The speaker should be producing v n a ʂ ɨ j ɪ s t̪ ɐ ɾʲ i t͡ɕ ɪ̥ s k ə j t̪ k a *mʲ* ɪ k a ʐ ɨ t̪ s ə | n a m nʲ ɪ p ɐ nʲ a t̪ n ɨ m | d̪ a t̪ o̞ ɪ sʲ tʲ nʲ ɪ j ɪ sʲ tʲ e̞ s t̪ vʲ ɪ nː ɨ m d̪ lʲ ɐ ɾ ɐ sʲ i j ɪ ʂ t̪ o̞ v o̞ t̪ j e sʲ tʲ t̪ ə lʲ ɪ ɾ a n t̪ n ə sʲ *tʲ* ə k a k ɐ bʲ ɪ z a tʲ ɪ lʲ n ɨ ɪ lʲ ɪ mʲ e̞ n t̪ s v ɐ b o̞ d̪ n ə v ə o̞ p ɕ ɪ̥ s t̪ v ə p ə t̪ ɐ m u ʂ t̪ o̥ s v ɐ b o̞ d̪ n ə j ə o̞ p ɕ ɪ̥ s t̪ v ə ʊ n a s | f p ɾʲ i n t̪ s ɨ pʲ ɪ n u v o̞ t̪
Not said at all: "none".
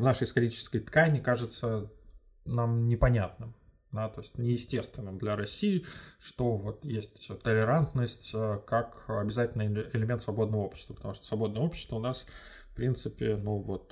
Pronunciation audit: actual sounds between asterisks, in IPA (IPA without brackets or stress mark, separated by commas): nʲ, tʲ